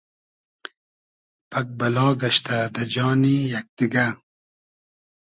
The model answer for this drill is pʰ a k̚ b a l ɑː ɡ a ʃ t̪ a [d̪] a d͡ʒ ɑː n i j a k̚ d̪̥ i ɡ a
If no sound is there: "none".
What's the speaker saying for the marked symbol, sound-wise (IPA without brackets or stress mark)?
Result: d̪